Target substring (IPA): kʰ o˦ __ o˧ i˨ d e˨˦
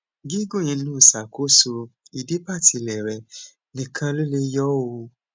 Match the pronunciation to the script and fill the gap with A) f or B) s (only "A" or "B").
B